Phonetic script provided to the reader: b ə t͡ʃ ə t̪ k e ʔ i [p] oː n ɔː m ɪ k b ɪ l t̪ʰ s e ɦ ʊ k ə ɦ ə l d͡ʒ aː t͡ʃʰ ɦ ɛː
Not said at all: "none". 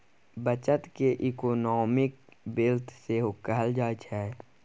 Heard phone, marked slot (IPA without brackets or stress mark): k